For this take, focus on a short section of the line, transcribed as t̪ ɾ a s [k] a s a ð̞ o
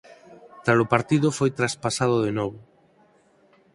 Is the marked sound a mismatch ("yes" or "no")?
yes